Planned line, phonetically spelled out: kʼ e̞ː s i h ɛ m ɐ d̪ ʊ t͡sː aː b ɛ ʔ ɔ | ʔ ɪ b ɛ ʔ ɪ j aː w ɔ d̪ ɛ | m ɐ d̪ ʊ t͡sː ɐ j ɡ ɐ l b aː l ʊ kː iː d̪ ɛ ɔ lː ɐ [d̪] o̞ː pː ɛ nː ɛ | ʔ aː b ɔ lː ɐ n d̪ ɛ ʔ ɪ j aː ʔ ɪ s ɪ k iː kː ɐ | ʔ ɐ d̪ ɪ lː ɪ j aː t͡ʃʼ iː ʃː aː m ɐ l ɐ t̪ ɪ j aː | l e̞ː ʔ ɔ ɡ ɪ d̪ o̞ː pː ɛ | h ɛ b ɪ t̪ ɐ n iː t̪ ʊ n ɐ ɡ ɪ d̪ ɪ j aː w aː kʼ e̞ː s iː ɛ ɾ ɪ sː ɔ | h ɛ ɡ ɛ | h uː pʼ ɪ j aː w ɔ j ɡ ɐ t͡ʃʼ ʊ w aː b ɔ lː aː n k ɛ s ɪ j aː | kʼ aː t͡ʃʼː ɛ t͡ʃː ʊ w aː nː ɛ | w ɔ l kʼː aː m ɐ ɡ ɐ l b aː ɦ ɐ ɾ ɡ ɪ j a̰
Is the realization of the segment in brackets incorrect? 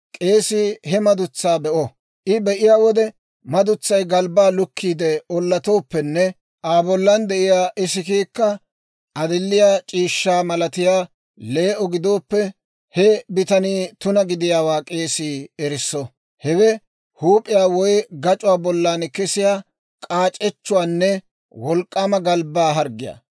yes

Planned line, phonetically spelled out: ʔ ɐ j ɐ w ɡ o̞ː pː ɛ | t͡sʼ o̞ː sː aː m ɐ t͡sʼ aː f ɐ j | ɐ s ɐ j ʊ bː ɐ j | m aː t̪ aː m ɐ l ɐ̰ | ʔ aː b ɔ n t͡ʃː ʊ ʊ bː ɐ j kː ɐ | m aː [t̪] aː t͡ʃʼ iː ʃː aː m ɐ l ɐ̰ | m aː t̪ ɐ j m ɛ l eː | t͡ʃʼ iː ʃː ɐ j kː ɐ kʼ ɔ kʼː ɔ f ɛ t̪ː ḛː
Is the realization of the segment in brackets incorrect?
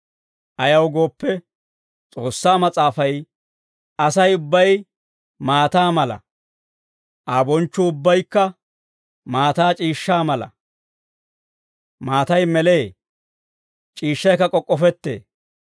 no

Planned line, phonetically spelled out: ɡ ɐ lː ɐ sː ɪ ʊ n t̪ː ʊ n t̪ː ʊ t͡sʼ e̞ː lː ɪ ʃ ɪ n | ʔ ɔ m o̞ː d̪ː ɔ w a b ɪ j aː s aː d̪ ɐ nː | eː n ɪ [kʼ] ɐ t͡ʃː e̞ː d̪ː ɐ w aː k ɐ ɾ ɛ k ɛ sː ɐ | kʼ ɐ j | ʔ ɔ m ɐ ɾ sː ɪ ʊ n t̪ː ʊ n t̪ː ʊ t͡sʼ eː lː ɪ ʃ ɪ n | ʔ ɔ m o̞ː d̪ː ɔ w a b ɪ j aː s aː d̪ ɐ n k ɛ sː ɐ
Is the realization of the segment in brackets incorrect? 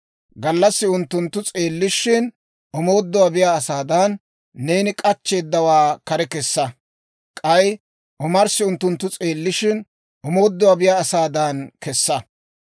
no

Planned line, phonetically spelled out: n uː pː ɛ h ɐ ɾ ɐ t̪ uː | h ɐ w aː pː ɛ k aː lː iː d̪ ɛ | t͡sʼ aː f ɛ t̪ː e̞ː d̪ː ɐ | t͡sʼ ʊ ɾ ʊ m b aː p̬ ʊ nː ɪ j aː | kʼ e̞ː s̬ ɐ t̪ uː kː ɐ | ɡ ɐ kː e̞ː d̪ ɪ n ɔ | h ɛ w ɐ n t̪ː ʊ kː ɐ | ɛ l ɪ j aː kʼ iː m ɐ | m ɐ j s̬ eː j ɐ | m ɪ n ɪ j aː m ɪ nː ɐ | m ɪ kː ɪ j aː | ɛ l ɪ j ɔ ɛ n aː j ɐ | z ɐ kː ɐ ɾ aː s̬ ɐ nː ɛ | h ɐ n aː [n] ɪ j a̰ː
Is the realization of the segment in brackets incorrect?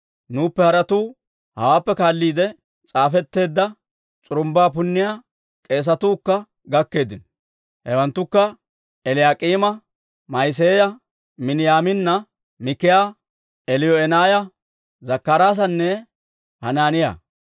no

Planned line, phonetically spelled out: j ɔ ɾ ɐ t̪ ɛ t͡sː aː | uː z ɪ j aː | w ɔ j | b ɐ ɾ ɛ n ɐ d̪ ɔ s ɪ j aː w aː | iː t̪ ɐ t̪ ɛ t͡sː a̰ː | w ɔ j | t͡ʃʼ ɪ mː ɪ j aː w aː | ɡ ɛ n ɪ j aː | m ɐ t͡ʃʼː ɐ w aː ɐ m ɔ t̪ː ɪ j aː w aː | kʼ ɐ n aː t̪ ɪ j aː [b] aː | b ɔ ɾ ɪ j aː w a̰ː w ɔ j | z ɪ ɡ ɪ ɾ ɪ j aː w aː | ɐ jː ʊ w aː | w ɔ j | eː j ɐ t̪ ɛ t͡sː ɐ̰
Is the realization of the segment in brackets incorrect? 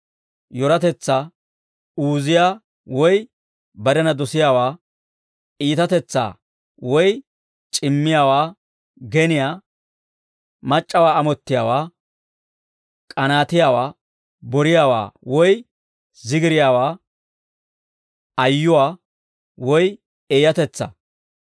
yes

